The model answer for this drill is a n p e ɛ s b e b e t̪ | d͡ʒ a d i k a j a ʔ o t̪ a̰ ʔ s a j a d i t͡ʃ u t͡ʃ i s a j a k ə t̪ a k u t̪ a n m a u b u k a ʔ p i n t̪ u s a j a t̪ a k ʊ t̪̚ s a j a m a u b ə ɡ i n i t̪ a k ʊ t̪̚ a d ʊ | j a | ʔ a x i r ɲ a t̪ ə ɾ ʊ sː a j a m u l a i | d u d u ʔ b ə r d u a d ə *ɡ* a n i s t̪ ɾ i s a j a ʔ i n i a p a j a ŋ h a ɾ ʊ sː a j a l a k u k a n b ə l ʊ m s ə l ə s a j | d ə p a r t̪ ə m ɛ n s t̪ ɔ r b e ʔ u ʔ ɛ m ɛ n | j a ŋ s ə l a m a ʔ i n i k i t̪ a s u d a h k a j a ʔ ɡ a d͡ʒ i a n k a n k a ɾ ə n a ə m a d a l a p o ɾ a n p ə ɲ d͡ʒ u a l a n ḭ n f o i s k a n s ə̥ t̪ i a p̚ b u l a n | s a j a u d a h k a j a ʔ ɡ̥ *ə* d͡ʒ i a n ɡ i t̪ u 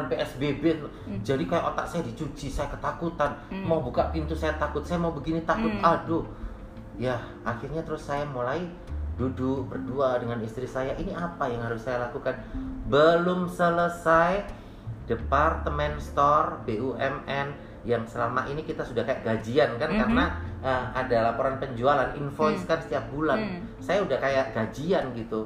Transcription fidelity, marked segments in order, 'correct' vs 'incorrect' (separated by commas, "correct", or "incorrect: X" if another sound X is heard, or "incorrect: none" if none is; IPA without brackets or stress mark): incorrect: ŋ, incorrect: a